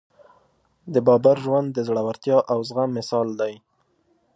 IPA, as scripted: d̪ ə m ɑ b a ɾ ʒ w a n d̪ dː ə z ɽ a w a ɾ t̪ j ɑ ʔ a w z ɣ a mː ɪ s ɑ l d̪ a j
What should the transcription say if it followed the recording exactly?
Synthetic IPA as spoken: d̪ ə b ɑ b a ɾ ʒ w a n d̪ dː ə z ɽ a w a ɾ t̪ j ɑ ʔ a w z ɣ a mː ɪ s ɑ l d̪ a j